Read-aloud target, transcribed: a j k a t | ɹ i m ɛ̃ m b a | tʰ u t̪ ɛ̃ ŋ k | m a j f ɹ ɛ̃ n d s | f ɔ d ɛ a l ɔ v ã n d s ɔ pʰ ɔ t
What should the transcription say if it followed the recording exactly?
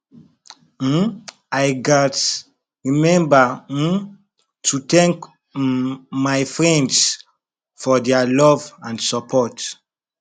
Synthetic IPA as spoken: a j ɡ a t | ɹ i m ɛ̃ m b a | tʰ u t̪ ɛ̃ ŋ k | m a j f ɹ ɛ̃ n d s | f ɔ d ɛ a l ɔ v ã n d s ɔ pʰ ɔ t